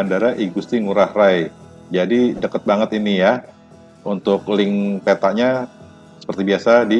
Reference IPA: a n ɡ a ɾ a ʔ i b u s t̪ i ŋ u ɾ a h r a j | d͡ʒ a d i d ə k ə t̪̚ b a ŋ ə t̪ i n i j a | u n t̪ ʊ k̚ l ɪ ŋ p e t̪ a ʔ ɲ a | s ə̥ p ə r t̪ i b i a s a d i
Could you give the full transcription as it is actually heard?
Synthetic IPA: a n d a ɾ a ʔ i ɡ u s t̪ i ŋ u ɾ a h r a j | d͡ʒ a d i d ə k ə t̪̚ b a ŋ ə t̪ i n i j a | u n t̪ ʊ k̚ l ɪ ŋ p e t̪ a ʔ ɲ a | s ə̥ p ə r t̪ i b i a s a d i